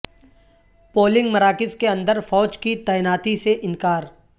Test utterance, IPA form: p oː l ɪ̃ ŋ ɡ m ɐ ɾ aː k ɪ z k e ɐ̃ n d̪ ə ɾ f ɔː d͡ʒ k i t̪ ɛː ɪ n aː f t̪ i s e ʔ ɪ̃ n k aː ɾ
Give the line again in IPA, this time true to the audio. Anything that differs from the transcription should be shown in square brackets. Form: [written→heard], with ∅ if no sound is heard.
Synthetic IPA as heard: p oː l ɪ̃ ŋ ɡ m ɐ ɾ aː k ɪ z k e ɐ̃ n d̪ ə ɾ f ɔː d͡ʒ k i t̪ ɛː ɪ n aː [f→∅] t̪ i s e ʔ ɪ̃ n k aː ɾ